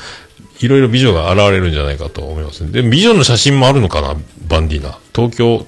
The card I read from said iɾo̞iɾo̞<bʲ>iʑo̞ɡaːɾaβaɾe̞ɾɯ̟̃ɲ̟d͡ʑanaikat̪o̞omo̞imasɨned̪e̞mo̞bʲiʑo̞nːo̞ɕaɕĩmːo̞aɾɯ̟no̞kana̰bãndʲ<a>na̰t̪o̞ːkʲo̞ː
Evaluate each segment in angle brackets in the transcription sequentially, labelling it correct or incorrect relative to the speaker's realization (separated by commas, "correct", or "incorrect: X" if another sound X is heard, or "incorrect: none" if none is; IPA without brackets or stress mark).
correct, incorrect: i